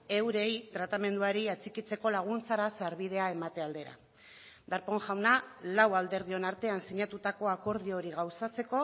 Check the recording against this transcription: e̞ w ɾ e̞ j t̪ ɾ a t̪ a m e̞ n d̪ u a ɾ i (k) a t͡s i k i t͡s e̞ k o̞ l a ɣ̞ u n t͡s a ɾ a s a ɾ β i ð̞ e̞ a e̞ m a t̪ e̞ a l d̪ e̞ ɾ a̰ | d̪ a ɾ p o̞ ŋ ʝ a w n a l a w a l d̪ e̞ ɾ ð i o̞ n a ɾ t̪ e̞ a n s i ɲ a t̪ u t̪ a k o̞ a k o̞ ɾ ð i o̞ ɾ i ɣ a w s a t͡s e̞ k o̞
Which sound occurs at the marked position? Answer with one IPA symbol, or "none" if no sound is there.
none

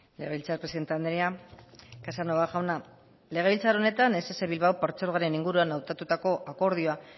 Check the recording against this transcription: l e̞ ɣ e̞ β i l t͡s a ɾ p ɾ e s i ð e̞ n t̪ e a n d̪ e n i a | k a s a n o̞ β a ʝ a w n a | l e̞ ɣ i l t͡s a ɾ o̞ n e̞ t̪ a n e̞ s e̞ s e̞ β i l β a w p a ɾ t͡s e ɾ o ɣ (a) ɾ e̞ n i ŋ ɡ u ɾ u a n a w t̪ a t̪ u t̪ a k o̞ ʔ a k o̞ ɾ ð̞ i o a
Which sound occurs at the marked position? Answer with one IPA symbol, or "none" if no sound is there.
a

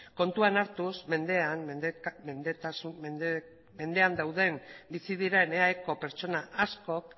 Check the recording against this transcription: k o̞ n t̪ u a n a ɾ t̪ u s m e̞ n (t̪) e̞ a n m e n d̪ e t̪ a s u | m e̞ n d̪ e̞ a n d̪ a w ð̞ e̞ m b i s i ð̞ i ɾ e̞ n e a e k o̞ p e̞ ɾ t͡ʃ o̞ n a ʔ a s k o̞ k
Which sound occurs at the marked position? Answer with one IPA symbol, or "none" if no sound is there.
d̪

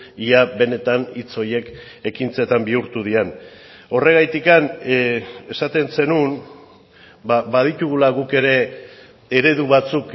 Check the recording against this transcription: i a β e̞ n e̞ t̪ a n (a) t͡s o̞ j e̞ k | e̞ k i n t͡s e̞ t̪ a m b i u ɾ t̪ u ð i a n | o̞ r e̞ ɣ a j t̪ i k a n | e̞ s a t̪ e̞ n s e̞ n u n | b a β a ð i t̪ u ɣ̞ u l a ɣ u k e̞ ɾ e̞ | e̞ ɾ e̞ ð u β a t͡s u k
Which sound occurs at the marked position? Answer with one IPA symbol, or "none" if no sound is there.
i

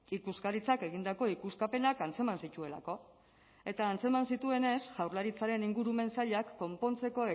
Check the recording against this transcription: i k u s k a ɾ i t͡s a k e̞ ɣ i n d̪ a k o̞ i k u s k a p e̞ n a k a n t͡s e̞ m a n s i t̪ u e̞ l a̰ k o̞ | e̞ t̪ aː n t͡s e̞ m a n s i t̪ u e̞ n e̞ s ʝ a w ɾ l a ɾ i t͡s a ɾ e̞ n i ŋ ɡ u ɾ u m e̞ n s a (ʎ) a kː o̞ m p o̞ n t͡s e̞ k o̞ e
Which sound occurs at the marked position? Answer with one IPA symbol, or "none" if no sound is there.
ʎ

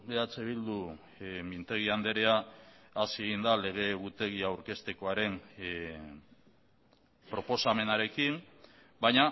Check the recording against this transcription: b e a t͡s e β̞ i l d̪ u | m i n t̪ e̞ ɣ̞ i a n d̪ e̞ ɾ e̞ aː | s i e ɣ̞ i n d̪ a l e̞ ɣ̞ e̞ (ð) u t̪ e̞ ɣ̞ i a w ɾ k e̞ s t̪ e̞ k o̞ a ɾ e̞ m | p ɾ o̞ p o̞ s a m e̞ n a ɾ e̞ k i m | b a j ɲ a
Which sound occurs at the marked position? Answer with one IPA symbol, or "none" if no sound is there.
ɣ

